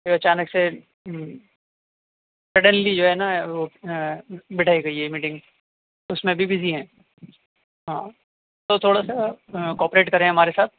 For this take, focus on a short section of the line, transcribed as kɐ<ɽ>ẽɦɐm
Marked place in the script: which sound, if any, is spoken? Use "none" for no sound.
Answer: ɾ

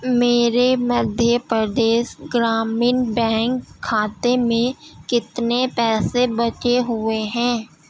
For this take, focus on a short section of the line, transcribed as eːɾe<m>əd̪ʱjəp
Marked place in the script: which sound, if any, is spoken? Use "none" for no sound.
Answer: m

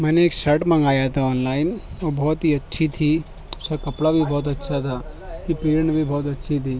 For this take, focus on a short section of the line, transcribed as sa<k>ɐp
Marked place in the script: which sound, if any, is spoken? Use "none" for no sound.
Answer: k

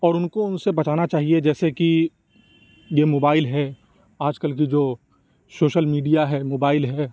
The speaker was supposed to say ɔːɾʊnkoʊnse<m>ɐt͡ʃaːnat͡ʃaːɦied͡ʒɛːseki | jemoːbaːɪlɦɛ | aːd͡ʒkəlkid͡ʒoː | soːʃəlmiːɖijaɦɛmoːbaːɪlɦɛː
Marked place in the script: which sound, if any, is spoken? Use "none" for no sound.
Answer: b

